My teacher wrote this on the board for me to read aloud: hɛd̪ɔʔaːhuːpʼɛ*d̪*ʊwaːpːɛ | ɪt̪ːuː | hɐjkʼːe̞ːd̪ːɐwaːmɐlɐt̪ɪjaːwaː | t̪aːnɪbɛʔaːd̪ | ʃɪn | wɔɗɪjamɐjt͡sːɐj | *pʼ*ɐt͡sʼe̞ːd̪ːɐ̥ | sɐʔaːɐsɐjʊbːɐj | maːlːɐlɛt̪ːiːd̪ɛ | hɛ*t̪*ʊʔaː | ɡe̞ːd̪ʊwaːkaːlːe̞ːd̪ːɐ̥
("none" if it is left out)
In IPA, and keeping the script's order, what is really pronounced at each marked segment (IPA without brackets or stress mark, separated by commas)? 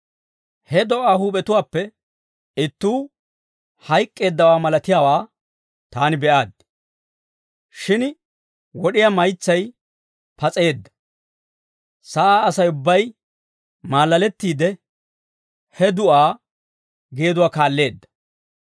t̪, p, d̪